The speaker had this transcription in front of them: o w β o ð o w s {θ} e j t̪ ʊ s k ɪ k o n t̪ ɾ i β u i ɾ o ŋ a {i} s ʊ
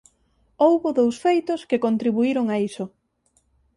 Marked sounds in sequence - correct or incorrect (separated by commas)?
incorrect, correct